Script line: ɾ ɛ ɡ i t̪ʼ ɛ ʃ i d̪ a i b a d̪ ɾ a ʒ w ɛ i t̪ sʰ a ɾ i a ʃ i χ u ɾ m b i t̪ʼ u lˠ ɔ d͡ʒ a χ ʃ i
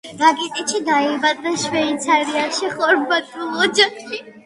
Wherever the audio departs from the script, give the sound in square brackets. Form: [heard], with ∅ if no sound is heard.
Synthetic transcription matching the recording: ɾ [a] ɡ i t̪ʼ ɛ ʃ i d̪ a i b a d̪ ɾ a [ʃ] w ɛ i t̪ sʰ a ɾ i a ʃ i χ [ɔ] ɾ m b [a] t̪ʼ u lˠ ɔ d͡ʒ a χ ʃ i